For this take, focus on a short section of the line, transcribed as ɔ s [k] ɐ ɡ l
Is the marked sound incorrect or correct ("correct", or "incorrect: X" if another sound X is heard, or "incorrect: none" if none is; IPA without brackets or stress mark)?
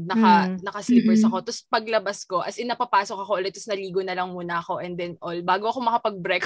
incorrect: p